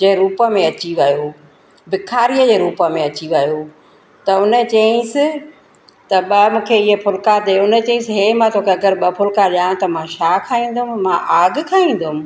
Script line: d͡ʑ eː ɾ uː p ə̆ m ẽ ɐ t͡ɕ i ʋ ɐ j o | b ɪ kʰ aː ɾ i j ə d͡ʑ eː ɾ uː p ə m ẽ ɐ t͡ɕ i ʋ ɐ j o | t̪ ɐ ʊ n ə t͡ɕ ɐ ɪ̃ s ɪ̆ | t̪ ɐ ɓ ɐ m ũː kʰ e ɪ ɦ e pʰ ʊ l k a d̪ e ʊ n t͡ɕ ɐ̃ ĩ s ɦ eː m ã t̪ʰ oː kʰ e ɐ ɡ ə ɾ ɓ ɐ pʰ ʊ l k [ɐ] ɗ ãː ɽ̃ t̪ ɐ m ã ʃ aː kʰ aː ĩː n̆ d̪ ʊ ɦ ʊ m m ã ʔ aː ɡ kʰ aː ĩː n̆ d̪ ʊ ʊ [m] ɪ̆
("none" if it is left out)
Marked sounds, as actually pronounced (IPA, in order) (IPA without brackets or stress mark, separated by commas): a, m